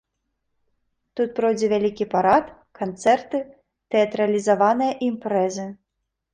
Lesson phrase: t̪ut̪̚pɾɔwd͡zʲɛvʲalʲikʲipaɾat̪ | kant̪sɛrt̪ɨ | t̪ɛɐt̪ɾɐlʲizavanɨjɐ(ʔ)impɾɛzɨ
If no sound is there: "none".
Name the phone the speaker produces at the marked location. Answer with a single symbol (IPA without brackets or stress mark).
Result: ʔ